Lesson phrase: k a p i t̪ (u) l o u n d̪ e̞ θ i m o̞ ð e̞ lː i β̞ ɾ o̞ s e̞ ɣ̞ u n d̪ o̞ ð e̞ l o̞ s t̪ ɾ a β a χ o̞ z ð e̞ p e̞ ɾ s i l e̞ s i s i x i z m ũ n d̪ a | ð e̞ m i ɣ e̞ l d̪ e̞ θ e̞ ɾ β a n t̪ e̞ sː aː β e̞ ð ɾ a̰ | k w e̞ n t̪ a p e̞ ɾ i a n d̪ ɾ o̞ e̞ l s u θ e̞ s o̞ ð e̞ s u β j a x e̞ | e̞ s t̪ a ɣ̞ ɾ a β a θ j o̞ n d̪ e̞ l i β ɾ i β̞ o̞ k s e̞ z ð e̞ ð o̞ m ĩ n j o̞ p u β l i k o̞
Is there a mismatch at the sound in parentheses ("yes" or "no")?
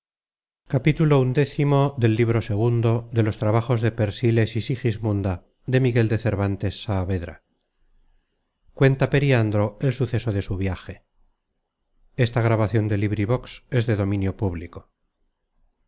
no